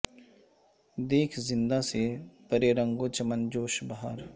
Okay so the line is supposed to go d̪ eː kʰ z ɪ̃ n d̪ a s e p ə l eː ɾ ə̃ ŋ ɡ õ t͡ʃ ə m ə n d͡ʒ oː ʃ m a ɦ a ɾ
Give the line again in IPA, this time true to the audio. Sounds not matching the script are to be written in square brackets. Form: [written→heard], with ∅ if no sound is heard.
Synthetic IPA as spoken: d̪ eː kʰ z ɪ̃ n d̪ a s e p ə [l→ɾ] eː ɾ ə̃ ŋ ɡ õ t͡ʃ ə m ə n d͡ʒ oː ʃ [m→b] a ɦ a ɾ